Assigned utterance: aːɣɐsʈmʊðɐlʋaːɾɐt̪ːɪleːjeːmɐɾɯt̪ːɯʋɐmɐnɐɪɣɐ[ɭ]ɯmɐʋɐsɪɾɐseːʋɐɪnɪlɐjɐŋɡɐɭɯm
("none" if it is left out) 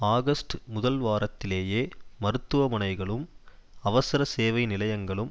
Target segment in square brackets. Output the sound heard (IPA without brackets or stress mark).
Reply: ɭ